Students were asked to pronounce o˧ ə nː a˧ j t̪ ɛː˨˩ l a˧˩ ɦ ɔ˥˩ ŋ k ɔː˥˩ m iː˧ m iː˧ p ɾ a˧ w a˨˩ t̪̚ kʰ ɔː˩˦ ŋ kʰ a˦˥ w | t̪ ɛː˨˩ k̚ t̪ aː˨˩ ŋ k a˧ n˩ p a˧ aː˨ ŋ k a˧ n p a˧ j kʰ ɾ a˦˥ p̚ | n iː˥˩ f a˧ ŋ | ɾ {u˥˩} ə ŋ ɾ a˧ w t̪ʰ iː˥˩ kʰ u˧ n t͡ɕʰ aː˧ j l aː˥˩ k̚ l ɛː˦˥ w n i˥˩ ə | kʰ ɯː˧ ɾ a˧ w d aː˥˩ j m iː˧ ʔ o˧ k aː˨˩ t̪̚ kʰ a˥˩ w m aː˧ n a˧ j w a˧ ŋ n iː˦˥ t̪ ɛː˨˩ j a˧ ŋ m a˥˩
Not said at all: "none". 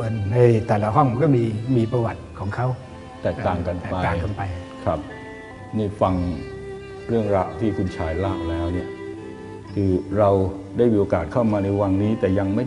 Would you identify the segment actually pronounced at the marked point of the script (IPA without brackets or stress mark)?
ɯ˥˩